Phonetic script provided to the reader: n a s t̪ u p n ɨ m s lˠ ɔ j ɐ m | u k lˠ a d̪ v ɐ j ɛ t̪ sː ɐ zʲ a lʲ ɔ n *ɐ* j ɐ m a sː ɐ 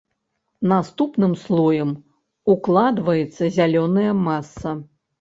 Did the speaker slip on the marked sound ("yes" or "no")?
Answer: no